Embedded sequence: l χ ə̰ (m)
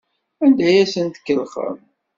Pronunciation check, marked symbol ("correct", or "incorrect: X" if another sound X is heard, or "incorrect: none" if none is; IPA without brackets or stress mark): correct